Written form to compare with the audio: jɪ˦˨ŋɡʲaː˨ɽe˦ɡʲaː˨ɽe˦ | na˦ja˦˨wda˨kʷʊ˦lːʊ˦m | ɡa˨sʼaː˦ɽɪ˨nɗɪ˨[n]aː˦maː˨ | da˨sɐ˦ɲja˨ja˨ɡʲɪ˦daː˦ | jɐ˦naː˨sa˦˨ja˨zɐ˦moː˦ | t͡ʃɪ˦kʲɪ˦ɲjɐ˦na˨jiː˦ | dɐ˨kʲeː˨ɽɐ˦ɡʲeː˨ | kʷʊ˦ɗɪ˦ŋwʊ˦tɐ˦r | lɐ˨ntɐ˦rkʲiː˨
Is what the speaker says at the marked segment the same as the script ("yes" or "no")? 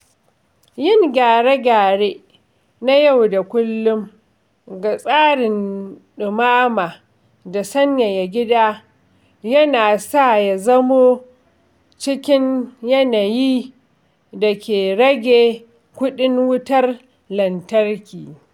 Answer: no